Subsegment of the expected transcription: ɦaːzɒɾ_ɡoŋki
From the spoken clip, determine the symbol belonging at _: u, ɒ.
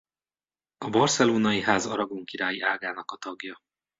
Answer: ɒ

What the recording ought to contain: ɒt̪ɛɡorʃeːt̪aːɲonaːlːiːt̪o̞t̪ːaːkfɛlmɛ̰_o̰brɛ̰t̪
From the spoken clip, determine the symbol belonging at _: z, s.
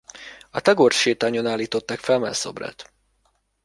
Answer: s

